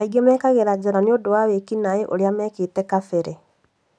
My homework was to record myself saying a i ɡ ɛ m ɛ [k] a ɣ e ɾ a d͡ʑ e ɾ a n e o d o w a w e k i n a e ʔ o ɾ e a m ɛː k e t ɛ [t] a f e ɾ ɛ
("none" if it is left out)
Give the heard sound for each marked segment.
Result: k, k

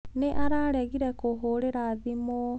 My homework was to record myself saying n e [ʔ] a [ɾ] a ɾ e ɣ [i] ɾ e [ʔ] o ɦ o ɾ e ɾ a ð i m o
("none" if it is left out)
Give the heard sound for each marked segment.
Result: ʔ, ɾ, i, k

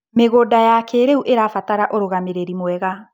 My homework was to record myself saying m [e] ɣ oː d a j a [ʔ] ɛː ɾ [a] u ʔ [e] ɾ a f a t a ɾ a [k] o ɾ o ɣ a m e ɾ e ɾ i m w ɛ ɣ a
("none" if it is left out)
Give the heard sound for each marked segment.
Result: e, k, e, e, ʔ

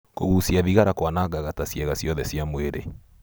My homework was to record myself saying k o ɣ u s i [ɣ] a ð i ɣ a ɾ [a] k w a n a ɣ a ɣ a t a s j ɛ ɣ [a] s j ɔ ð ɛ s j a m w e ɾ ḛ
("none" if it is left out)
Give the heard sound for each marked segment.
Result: none, a, a

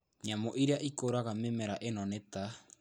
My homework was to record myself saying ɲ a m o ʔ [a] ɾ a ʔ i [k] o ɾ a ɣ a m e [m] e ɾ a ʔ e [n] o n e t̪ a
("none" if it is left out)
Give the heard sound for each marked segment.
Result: i, k, m, n

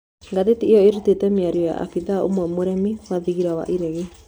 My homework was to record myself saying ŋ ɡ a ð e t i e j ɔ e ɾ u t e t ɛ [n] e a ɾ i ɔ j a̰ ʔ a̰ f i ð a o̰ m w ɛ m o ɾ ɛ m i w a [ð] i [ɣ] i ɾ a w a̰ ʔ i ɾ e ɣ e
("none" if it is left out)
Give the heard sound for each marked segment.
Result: m, ð, ɣ

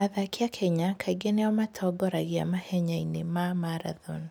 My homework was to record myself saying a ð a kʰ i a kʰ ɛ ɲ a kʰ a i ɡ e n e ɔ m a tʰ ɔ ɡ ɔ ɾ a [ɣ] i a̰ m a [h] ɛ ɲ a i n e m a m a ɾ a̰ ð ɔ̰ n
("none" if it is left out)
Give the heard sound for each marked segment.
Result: ɣ, h

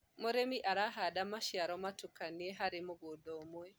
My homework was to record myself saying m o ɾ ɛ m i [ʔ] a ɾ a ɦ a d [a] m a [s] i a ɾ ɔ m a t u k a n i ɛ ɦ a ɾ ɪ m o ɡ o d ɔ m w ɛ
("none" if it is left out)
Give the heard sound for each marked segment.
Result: ʔ, a, ʃ

